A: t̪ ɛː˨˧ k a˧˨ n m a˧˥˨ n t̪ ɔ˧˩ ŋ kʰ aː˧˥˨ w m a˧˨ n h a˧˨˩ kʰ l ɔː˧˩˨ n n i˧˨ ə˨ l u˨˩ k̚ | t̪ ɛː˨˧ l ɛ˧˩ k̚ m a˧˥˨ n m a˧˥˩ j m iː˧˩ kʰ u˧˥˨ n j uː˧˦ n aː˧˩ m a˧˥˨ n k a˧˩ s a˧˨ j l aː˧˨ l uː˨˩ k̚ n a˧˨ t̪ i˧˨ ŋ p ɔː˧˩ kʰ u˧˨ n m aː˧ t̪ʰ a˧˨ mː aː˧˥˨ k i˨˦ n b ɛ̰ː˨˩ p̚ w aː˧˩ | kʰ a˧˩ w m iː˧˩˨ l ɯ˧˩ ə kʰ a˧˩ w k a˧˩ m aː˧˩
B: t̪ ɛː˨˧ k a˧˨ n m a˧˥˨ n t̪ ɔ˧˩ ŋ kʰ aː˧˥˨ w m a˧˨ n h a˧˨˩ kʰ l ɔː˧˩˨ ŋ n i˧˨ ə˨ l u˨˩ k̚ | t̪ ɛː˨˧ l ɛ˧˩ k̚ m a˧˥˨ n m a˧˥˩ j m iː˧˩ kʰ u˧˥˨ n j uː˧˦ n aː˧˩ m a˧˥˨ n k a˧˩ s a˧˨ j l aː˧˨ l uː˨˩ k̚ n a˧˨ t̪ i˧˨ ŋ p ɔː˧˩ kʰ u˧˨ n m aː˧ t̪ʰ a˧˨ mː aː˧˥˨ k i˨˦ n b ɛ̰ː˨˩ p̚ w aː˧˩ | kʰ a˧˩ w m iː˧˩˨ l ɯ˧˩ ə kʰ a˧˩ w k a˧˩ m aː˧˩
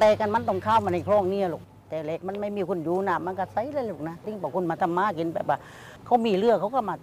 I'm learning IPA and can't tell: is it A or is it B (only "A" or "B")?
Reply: B